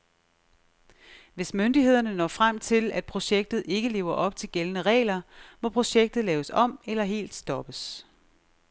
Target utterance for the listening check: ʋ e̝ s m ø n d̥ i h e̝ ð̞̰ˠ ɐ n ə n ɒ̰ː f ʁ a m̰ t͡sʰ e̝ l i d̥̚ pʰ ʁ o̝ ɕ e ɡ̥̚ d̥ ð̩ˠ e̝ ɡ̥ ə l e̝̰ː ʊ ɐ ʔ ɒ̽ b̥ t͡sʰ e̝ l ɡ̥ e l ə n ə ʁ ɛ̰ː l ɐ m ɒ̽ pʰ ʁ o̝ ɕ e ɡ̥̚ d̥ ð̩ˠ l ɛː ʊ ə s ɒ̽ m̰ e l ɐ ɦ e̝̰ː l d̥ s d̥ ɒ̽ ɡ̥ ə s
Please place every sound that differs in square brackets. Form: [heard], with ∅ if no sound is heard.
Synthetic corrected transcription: ʋ e̝ s m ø n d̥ i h e̝ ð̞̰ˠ ɐ n ə n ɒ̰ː f ʁ a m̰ t͡sʰ e̝ l [æ] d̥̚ pʰ ʁ o̝ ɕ e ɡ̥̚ d̥ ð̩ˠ e̝ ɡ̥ ə l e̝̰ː ʊ ɐ ʔ ɒ̽ b̥ t͡sʰ e̝ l ɡ̥ e l ə n ə ʁ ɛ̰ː l ɐ m ɒ̽ pʰ ʁ o̝ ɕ e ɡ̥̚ d̥ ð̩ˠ l ɛː ʊ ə s ɒ̽ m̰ e l ɐ ɦ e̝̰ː l d̥ s d̥ ɒ̽ [b̥] ə s